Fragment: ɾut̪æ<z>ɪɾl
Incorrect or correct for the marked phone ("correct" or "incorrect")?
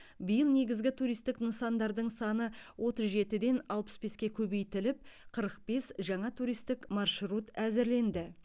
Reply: correct